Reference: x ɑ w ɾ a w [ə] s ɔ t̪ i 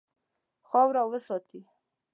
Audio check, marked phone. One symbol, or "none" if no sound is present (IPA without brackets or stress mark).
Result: ə